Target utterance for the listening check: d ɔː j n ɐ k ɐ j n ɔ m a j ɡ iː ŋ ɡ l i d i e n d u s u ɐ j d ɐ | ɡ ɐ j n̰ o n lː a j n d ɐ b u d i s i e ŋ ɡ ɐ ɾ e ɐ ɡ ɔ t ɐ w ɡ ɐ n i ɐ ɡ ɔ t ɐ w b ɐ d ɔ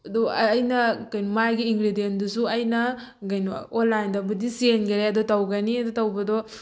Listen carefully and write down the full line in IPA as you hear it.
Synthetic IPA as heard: d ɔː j n ɐ k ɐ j n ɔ m a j ɡ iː ŋ ɡ ɾ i d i e n d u s u ɐ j n ɐ | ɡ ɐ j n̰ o n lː a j n d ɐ b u d i s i e n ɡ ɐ ɾ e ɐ d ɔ t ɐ w ɡ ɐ n i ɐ d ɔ t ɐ w b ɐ d ɔ